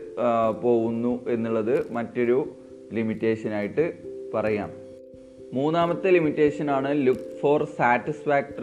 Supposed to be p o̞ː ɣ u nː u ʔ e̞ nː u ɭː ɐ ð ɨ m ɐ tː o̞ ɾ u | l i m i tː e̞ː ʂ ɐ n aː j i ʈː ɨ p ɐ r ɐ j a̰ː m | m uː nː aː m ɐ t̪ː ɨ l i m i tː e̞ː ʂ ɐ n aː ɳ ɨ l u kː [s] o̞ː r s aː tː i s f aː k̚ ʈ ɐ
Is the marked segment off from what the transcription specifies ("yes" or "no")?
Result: yes